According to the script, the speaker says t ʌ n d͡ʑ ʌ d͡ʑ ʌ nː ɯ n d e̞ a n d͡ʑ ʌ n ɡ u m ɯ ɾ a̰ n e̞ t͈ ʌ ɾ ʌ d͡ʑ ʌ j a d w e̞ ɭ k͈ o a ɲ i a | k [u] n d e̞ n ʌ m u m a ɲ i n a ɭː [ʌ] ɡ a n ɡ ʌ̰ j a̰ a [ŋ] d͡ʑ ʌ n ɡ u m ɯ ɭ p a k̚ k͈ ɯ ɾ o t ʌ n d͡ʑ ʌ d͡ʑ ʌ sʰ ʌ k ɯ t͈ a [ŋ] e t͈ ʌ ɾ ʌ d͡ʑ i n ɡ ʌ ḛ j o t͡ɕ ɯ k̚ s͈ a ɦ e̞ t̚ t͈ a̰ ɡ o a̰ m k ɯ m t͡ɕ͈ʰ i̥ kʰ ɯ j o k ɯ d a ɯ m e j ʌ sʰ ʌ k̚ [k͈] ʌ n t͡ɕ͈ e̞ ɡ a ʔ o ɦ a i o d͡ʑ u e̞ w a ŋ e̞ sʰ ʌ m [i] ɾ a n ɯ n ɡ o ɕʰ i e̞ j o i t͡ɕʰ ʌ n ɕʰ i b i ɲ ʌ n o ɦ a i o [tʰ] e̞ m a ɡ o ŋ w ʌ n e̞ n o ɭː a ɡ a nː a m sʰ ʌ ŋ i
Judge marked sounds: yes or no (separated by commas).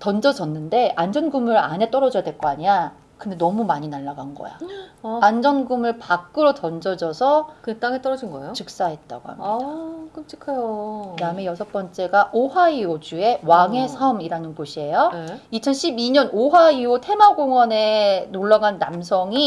no, no, no, yes, no, yes, yes